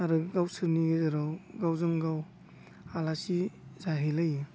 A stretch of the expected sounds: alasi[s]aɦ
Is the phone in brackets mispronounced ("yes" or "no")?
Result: yes